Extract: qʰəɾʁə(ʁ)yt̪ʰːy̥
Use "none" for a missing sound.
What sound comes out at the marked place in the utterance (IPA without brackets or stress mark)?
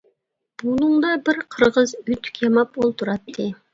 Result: z